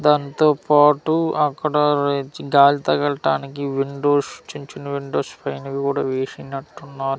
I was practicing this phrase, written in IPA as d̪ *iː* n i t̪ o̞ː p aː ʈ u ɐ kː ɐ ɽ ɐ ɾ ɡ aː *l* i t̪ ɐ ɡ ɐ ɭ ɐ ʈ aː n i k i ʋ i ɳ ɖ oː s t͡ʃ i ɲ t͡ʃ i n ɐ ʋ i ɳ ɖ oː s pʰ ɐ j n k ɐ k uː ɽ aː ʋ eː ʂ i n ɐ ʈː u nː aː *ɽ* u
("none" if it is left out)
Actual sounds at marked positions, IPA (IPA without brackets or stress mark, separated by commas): aː, l, ɾ